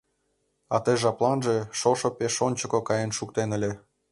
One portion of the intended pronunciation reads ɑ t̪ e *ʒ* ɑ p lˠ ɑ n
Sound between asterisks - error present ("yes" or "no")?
no